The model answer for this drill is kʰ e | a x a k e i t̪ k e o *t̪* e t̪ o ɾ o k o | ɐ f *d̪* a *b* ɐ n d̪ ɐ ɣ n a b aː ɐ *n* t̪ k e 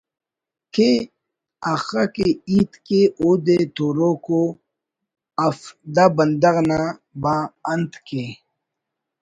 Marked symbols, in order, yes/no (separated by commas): no, yes, yes, yes